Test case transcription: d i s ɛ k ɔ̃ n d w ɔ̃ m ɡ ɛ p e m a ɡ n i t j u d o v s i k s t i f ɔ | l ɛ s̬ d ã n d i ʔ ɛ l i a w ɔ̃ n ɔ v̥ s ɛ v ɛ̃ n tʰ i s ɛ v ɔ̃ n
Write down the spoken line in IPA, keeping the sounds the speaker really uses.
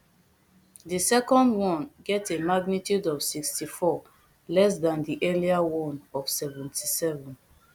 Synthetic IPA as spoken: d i s ɛ k ɔ̃ n d w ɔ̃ n ɡ ɛ t e m a ɡ n i t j u d ɔ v s i k s t i f ɔ | l ɛ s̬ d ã n d i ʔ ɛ l i a w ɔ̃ n ɔ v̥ s ɛ v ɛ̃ n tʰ i s ɛ v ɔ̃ n